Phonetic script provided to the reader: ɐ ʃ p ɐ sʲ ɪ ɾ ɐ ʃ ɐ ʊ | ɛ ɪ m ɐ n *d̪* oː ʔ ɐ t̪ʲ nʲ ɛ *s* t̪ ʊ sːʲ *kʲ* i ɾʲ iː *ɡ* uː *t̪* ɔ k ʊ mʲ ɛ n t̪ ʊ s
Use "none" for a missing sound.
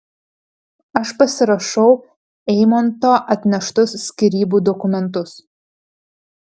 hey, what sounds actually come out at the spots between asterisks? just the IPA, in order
t̪, ʃ, kʲ, b, d̪

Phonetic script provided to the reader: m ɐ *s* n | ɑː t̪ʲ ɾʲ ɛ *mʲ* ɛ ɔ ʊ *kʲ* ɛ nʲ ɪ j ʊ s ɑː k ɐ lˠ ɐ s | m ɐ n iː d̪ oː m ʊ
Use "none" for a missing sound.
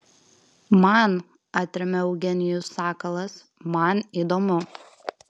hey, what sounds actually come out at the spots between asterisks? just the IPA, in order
none, mʲ, ɡʲ

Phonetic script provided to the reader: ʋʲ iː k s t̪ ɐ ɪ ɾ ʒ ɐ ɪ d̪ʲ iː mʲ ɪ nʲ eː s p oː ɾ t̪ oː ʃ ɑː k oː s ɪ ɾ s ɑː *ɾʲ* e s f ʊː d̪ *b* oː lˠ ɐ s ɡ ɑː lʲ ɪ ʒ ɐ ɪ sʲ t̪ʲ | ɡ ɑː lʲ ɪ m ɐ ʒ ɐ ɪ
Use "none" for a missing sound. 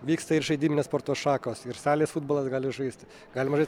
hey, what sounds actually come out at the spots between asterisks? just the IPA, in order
lʲ, b

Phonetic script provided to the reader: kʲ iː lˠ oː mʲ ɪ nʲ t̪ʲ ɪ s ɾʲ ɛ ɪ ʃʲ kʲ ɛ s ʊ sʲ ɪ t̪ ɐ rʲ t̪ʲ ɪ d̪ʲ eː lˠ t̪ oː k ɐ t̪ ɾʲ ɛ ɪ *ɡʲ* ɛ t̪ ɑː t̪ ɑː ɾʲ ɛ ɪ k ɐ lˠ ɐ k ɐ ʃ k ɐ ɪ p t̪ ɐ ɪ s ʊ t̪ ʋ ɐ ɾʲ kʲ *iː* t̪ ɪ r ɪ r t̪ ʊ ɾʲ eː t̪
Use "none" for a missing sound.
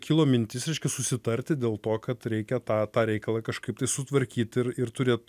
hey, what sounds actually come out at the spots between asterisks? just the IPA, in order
kʲ, iː

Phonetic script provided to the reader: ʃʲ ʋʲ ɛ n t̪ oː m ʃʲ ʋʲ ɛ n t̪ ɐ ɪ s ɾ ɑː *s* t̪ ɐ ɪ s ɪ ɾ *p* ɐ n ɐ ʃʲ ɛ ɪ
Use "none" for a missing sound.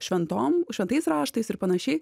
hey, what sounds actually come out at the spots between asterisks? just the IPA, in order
ʃ, p

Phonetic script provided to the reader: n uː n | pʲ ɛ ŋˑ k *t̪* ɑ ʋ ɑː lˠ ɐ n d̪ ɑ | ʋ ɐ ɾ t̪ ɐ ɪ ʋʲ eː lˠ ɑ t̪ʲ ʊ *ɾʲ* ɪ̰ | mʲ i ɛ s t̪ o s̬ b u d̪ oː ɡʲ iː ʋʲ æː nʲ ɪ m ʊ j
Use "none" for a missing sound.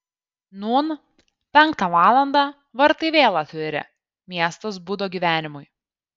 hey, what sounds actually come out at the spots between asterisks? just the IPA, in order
t̪, ɾʲ

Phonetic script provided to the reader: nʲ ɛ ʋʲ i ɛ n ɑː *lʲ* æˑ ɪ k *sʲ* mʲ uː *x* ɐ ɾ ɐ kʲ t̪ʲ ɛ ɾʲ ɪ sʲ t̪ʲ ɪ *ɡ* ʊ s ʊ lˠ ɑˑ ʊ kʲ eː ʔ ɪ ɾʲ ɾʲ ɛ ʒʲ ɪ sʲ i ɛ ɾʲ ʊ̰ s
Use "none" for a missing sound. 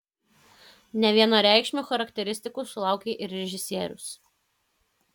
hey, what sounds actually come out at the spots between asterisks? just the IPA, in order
ɾʲ, ʃʲ, x, k

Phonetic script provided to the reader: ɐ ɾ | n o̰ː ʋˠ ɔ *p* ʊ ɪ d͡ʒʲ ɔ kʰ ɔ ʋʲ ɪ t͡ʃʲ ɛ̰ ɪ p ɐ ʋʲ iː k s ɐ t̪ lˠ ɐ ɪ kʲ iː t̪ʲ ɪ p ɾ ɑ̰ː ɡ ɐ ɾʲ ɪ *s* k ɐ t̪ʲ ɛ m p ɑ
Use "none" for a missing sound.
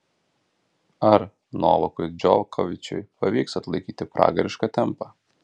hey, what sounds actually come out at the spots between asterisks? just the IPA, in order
k, ʃ

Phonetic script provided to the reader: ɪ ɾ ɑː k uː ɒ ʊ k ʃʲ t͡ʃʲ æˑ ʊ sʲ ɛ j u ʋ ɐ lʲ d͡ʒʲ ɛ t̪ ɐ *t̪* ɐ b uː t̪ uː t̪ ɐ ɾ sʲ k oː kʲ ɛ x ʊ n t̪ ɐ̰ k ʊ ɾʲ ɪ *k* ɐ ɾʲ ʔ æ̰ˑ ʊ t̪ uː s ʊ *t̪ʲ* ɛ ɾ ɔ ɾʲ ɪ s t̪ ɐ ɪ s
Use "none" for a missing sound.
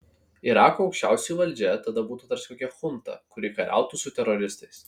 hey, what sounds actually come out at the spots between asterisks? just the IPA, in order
d̪, k, t̪ʲ

